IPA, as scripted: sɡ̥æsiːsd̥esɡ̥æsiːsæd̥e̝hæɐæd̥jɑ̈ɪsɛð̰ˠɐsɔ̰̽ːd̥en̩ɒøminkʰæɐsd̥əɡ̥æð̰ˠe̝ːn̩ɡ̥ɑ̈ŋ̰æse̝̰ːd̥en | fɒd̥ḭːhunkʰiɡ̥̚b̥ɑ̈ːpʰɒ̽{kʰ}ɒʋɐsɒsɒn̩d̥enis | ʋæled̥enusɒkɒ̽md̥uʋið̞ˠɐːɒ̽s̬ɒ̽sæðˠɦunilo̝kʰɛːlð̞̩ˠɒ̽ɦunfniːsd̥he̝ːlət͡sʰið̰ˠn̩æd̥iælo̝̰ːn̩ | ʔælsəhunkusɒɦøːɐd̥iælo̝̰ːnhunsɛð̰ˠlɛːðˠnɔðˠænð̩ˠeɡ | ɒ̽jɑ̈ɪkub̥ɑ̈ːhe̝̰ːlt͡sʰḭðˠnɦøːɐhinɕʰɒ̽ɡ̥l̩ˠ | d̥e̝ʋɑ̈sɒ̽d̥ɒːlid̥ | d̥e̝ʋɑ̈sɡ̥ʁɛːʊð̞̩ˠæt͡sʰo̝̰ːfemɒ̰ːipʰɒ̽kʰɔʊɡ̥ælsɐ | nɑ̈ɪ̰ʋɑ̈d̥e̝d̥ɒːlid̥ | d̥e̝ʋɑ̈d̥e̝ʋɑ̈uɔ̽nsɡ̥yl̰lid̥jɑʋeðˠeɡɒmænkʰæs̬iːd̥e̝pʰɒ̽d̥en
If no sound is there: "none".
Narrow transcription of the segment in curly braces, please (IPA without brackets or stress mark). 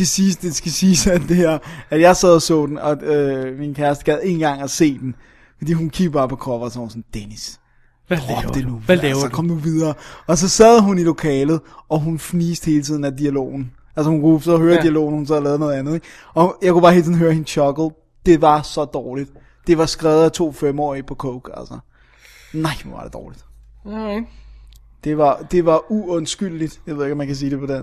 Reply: kʰ